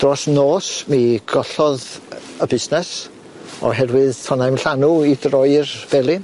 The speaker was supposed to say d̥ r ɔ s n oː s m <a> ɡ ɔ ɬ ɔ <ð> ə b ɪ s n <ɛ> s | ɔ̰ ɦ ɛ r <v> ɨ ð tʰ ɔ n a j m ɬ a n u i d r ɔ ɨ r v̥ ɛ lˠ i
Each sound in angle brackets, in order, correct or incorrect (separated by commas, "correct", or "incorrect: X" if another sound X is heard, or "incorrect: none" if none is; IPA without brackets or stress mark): incorrect: i, correct, correct, incorrect: w